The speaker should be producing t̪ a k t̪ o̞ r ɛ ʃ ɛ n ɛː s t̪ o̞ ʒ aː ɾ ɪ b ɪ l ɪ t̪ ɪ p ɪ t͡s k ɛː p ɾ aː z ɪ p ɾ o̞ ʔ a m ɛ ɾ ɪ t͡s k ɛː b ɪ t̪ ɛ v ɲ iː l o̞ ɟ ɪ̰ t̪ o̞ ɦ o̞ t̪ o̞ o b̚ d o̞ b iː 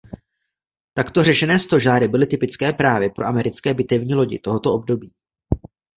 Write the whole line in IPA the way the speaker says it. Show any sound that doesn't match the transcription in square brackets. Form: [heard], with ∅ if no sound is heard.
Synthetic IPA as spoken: t̪ a k t̪ o̞ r ɛ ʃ ɛ n ɛː s t̪ o̞ ʒ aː ɾ ɪ b ɪ l ɪ t̪ ɪ p ɪ t͡s k ɛː p ɾ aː [v] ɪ p ɾ o̞ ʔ a m ɛ ɾ ɪ t͡s k ɛː b ɪ t̪ ɛ v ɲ iː l o̞ ɟ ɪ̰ t̪ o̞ ɦ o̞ t̪ o̞ o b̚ d o̞ b iː